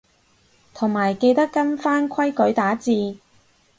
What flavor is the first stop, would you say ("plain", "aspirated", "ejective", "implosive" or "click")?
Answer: aspirated